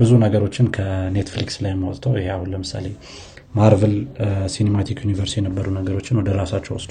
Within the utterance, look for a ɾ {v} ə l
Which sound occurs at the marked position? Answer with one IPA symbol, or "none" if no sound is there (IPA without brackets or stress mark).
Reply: v